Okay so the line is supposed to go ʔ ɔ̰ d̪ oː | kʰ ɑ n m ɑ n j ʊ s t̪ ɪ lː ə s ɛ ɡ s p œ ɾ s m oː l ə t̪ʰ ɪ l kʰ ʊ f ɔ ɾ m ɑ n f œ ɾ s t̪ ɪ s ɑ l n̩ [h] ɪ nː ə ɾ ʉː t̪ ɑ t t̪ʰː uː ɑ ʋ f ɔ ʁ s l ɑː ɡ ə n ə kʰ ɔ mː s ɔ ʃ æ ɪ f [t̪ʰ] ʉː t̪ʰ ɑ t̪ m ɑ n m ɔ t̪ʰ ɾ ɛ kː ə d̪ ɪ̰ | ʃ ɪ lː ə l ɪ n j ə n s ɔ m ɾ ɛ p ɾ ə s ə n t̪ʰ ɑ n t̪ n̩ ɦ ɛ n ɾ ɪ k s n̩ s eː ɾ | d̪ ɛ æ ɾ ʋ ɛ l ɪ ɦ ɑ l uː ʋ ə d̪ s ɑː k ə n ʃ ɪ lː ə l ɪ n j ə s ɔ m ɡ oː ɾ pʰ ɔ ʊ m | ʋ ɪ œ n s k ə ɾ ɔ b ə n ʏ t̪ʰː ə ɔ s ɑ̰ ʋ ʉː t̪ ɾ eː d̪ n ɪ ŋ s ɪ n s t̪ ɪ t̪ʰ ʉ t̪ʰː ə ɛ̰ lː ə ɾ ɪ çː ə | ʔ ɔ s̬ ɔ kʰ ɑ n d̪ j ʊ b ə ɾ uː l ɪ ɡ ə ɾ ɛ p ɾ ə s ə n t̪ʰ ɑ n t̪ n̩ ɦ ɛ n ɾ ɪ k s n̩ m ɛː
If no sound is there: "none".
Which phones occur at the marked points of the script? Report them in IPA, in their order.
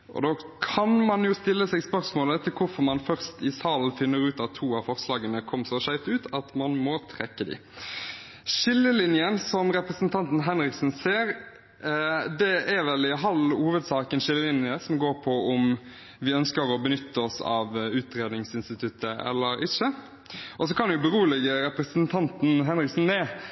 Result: f, t̪

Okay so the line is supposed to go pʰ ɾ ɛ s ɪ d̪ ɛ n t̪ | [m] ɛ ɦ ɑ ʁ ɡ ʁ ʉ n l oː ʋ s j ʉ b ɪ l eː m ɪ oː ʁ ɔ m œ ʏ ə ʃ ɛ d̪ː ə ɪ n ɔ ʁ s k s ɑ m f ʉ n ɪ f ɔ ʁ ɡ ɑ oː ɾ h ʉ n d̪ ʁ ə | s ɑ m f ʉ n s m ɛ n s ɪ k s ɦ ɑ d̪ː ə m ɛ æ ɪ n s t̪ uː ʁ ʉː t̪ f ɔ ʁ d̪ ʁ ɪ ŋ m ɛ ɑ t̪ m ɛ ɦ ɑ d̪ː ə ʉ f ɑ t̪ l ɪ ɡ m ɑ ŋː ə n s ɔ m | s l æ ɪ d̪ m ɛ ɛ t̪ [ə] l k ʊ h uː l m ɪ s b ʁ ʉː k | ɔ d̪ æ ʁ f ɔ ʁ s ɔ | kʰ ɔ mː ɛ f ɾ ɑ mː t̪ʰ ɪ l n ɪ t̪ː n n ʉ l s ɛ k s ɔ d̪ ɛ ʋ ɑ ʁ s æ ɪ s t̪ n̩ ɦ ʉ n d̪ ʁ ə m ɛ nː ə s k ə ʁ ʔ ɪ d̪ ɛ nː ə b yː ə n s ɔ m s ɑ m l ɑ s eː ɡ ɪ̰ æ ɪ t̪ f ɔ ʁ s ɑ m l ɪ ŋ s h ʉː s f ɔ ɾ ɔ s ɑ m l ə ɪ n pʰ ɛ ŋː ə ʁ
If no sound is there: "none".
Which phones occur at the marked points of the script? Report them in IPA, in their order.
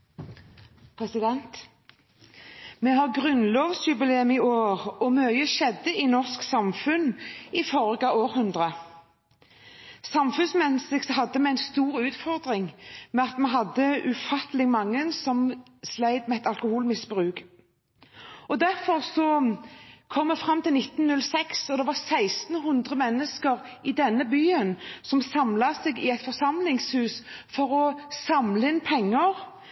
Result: m, ɑ

